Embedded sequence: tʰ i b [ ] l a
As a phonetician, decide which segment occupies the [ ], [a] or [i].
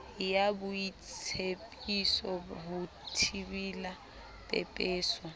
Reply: i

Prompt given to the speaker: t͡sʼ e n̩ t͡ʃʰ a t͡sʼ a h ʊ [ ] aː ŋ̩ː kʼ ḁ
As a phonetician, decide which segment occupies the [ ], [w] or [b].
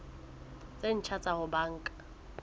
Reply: b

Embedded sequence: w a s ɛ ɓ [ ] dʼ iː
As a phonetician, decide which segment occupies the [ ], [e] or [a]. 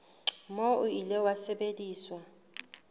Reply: e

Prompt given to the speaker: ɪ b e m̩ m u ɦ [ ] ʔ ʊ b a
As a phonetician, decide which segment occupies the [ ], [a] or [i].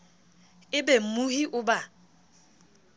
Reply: i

